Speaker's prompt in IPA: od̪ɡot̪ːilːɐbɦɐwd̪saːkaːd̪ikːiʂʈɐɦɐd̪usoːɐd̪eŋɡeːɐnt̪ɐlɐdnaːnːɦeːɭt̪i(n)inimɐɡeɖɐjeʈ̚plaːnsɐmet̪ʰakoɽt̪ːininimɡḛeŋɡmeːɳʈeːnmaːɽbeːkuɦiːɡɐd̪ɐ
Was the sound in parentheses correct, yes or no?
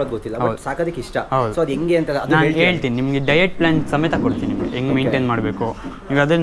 yes